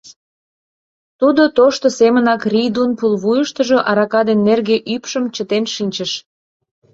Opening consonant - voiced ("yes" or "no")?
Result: no